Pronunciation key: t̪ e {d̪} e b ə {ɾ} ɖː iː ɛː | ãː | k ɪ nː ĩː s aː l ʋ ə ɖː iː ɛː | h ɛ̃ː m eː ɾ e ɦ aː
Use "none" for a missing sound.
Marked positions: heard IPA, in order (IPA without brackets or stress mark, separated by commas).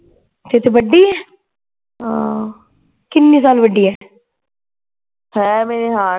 t̪, none